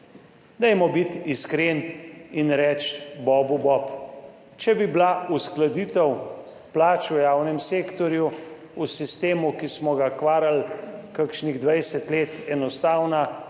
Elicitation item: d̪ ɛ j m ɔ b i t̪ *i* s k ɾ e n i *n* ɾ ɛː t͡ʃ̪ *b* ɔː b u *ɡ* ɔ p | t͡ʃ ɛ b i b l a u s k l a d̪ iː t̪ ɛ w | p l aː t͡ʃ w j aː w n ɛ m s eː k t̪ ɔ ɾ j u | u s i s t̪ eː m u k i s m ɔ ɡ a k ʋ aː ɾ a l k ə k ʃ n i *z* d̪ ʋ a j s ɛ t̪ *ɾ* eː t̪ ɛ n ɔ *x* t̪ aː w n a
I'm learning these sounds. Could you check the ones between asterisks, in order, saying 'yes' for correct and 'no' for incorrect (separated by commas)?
yes, yes, yes, no, no, no, no